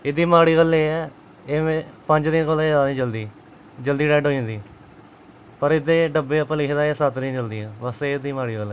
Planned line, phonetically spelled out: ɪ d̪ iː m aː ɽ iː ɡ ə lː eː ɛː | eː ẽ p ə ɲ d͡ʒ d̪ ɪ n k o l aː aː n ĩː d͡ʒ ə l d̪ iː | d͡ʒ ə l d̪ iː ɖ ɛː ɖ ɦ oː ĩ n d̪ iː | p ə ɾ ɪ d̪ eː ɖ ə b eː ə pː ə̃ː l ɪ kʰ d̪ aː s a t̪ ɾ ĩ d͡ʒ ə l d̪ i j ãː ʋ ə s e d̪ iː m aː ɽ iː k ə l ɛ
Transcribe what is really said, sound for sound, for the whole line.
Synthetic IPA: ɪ d̪ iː m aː ɽ iː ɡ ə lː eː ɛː | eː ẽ p ə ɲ d͡ʒ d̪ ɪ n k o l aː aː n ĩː d͡ʒ ə l d̪ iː | d͡ʒ ə l d̪ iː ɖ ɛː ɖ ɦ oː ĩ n d̪ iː | p ə ɾ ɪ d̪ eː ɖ ə b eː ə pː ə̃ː l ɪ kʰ d̪ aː s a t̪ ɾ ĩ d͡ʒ ə l d̪ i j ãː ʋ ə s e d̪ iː m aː ɽ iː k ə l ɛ